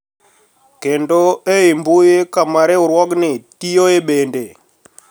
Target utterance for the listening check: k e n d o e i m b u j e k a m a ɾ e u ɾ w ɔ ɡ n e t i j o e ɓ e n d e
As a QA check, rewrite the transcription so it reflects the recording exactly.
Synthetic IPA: k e n d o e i m b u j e k a m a ɾ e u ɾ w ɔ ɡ n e t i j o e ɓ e n d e

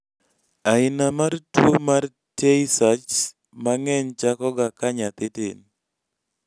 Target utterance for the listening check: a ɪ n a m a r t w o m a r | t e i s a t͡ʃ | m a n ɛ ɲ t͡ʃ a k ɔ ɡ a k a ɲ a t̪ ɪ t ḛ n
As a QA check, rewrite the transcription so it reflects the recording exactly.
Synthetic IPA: a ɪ n a m a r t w o m a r | t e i s a t͡ʃ | m a ŋ ɛ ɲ t͡ʃ a k ɔ ɡ a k a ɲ a t̪ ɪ t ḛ n

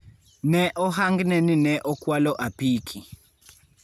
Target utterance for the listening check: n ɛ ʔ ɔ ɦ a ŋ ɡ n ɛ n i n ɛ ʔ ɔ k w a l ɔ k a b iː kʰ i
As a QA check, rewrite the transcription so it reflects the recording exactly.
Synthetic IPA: n ɛ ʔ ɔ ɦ a ŋ ɡ n ɛ n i n ɛ ʔ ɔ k w a l ɔ ʔ a p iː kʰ i

